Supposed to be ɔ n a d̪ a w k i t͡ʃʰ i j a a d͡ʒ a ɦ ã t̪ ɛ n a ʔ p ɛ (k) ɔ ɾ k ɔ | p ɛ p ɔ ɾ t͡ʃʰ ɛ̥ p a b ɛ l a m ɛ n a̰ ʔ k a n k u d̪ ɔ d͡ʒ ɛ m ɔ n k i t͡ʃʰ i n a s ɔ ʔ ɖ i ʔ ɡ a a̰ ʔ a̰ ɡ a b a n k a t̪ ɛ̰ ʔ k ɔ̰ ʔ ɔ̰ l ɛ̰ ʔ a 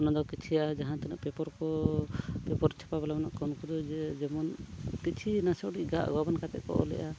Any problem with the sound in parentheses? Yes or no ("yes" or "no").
yes